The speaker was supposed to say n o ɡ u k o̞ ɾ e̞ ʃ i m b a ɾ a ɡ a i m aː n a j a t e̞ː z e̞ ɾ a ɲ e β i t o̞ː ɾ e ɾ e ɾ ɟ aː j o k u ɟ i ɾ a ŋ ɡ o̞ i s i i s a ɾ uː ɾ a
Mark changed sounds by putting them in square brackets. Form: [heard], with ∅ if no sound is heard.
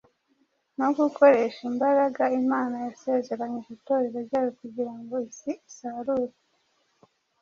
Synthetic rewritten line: n o ɡ u k o̞ ɾ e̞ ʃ i m b a ɾ a ɡ a i m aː n a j a [s] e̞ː z e̞ ɾ a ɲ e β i t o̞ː ɾ e ɾ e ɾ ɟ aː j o k u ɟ i ɾ a ŋ ɡ o̞ i s i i s a ɾ uː ɾ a